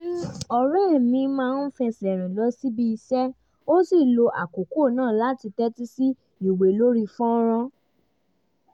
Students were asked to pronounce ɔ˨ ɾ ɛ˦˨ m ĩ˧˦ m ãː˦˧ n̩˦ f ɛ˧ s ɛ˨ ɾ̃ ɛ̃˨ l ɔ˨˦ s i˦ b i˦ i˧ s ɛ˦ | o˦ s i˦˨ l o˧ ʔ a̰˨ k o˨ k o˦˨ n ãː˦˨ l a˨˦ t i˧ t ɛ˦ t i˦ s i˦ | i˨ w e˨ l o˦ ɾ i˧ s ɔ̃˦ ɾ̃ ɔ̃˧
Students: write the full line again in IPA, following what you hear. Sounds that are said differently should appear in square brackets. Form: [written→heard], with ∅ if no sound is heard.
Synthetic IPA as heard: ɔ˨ ɾ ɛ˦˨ m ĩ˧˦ m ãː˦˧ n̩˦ f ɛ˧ s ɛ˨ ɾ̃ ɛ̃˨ l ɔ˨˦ s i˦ b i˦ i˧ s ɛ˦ | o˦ s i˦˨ l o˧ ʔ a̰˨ k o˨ k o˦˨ n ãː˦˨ l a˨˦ t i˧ t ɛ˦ t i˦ s i˦ | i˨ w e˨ l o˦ ɾ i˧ [s→f] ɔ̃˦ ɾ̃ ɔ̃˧

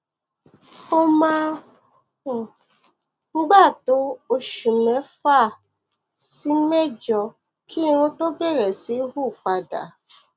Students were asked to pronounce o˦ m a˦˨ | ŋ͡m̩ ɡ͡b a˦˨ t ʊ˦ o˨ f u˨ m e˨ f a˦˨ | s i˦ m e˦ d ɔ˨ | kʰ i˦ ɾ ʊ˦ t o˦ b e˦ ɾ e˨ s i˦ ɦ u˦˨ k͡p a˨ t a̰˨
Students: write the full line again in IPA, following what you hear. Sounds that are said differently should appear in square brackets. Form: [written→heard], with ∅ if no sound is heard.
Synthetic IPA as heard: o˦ m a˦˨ | ŋ͡m̩ ɡ͡b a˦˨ t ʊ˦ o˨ [f→ʃ] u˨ m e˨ f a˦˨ | s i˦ m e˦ [d→d͡ʒ] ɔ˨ | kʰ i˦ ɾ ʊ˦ t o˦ b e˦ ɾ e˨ s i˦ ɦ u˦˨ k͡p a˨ [t→d] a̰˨

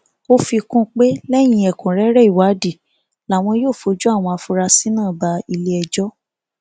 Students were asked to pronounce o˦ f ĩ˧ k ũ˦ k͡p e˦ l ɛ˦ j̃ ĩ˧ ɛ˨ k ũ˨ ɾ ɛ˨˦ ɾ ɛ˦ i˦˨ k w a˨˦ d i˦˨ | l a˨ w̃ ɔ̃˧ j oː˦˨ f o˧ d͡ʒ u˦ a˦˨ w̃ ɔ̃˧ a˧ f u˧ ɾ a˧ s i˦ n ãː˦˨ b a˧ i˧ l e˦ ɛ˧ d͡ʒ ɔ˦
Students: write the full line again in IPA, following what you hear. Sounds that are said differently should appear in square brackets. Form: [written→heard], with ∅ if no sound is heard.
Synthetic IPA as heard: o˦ f [ĩ˧→i˧] k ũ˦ k͡p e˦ l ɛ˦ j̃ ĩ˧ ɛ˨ k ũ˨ ɾ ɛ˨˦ ɾ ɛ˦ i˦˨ [k→∅] w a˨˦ d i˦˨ | l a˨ w̃ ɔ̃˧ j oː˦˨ f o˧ d͡ʒ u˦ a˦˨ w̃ ɔ̃˧ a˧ f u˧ ɾ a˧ s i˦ n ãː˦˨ b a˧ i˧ l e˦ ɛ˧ d͡ʒ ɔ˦

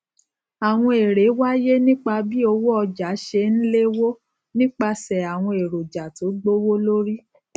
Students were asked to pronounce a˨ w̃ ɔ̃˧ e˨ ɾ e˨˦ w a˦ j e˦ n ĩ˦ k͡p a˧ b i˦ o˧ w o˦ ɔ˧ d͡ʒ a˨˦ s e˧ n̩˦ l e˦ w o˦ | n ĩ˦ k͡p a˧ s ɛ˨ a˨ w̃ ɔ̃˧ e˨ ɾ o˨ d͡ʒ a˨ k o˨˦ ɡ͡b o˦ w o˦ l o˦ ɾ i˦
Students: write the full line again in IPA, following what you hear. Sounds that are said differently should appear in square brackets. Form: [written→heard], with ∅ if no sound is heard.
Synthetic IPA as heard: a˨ w̃ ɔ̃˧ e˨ ɾ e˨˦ w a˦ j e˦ n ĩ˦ k͡p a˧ b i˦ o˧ w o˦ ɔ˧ d͡ʒ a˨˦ [s→ʃ] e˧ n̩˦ l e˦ w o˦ | n ĩ˦ k͡p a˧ s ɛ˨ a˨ w̃ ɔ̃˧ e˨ ɾ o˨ d͡ʒ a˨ [k→t] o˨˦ ɡ͡b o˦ w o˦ l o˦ ɾ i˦

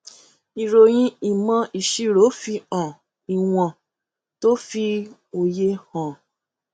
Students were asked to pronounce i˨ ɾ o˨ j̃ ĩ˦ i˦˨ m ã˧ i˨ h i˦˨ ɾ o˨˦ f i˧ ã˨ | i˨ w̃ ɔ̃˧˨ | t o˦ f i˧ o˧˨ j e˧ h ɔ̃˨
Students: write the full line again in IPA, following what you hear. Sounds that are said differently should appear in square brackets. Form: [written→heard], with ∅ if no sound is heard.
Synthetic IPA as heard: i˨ ɾ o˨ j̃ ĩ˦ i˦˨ m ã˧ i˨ [h→ʃ] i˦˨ ɾ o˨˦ f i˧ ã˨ | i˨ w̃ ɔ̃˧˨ | t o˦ f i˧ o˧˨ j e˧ h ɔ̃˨

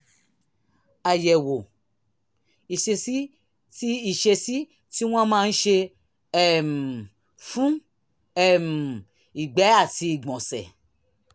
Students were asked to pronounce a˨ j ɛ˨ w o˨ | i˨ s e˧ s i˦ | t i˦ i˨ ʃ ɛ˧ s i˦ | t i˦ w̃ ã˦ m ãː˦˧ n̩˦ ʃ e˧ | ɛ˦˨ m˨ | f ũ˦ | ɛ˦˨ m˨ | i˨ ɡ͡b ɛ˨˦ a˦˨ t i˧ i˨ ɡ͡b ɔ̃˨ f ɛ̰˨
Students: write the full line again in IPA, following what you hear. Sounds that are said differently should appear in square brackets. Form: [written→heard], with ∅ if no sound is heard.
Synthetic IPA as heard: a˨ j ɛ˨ w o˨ | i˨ [s→ʃ] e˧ s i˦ | t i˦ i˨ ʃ [ɛ˧→e˧] s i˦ | t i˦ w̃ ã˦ m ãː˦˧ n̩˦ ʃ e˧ | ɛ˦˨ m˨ | f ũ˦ | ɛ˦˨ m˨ | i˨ ɡ͡b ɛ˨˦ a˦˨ t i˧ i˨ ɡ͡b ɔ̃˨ [f→s] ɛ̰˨

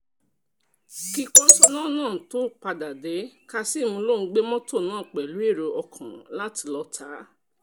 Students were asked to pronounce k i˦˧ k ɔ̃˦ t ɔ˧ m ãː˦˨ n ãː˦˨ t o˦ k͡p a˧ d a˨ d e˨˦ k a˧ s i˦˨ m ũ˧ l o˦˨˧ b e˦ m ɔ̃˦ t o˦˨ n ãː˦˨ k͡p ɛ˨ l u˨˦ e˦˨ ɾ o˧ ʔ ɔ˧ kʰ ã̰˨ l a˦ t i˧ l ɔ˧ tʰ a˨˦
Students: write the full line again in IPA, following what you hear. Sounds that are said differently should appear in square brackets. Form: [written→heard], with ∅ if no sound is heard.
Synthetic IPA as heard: k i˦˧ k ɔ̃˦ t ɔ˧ [m→n] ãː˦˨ n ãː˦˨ t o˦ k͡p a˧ d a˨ d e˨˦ k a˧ s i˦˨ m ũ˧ l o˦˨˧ [b→ɡ͡b] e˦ m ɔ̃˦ t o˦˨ n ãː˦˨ k͡p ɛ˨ l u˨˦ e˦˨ ɾ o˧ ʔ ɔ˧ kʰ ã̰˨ l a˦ t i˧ l ɔ˧ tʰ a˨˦

